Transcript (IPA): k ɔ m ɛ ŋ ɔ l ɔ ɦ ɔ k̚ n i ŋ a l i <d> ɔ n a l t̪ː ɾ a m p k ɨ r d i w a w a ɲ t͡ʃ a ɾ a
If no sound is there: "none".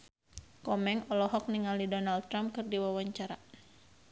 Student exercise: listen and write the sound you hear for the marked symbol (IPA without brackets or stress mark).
d